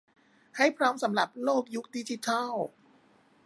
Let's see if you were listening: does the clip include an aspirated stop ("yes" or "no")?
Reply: yes